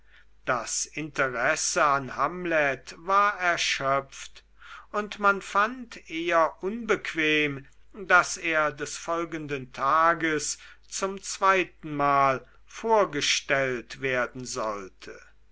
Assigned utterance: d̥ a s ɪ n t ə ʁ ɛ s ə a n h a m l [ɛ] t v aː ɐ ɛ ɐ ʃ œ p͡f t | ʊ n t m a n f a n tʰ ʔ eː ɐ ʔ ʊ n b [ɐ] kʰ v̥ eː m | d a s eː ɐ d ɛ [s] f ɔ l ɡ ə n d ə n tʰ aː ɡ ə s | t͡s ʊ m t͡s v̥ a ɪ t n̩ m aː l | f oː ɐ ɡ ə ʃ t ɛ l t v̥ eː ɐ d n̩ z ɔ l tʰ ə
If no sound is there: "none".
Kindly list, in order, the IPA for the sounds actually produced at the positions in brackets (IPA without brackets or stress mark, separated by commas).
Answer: ɛ, ə, s